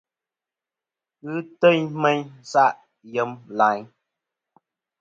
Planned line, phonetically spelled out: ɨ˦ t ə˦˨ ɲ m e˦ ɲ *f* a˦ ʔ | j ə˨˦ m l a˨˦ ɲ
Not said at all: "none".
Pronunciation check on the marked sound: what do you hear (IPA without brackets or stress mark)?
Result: s